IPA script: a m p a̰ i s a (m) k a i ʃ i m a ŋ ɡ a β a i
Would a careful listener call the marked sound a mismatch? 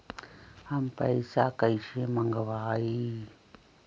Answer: yes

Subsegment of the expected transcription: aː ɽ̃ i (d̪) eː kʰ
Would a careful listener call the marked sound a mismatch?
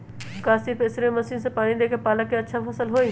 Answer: no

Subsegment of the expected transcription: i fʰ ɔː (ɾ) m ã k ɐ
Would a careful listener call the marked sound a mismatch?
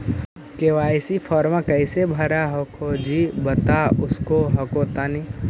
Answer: no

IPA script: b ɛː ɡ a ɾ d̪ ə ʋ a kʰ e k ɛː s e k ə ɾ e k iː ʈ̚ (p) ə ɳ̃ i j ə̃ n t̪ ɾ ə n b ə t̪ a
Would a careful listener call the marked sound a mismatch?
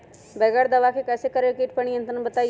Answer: no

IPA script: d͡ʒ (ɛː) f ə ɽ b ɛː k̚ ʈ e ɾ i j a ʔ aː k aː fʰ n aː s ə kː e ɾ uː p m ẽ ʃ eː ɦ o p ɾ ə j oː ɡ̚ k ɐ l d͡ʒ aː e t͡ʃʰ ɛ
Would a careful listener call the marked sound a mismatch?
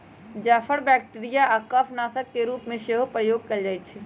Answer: yes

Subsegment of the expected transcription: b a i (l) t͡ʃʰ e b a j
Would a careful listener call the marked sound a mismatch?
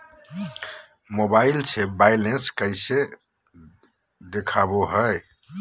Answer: no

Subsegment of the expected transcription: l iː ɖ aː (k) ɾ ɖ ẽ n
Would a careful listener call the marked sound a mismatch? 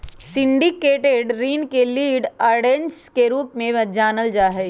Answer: yes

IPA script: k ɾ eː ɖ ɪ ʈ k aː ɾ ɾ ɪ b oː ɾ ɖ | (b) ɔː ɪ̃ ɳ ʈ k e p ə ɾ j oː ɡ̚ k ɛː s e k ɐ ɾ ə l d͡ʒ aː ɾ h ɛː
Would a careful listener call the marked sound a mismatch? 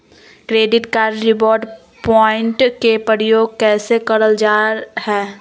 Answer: yes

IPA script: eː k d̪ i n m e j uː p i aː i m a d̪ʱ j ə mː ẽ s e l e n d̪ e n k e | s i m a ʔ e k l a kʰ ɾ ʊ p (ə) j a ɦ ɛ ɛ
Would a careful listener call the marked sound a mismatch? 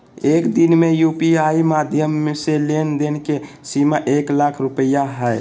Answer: no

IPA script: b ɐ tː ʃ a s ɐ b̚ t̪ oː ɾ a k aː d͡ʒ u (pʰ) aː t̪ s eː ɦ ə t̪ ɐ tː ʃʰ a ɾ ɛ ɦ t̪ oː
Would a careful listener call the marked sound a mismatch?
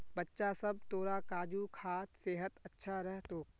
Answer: yes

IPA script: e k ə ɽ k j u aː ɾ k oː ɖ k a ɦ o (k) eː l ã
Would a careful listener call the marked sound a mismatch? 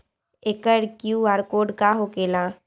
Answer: no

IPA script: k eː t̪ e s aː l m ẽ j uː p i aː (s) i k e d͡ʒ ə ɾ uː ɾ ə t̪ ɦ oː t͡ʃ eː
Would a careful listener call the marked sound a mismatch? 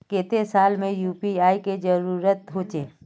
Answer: yes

